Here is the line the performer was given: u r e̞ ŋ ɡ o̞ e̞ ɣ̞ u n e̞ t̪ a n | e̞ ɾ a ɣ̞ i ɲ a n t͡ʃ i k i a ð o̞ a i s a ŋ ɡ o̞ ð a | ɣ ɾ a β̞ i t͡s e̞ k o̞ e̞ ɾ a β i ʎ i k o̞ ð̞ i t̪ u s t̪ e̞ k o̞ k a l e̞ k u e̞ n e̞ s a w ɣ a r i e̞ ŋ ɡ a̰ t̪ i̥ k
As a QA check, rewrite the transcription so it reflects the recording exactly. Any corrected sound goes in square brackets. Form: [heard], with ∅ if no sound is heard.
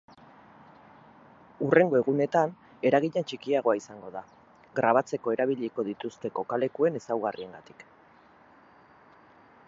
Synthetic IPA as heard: u r e̞ ŋ ɡ o̞ e̞ ɣ̞ u n e̞ t̪ a n | e̞ ɾ a ɣ̞ i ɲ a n t͡ʃ i k i a [ɣ] o̞ a i s a ŋ ɡ o̞ ð a | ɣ ɾ a β̞ [a] t͡s e̞ k o̞ e̞ ɾ a β i ʎ i k o̞ ð̞ i t̪ u s t̪ e̞ k o̞ k a l e̞ k u e̞ n e̞ s a w ɣ a r i e̞ ŋ ɡ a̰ t̪ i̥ k